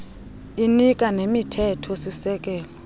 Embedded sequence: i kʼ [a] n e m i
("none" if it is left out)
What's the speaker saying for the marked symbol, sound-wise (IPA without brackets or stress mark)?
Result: a